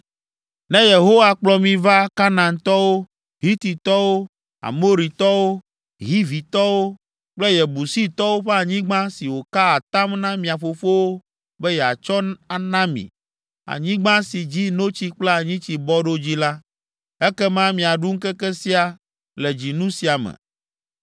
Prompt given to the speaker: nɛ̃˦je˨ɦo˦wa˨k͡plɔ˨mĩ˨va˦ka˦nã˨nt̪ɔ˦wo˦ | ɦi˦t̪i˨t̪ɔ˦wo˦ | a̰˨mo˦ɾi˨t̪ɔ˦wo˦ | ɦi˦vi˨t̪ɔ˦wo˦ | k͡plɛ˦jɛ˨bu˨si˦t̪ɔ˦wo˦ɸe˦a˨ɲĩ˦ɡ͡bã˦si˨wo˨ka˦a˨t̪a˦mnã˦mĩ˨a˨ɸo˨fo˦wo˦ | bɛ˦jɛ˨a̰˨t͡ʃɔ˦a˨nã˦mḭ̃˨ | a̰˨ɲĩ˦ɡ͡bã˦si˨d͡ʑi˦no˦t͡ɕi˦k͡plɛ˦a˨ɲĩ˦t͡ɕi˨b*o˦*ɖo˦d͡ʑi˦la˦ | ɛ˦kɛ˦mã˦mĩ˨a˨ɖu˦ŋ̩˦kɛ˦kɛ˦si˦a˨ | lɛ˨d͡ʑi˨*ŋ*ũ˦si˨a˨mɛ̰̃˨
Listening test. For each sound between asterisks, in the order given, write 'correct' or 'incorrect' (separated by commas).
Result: incorrect, incorrect